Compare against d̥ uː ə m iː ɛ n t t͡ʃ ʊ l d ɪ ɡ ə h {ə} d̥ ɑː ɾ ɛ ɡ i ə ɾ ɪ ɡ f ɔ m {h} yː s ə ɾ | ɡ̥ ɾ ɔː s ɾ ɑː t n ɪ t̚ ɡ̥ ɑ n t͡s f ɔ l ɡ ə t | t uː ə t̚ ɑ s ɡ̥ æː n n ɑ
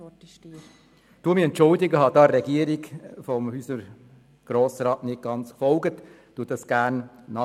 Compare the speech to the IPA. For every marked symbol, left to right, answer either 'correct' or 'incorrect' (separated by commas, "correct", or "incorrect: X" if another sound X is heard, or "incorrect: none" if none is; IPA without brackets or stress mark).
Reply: incorrect: ɑ, correct